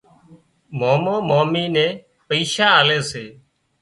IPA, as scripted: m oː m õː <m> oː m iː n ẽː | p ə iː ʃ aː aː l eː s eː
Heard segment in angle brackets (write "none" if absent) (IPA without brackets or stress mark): m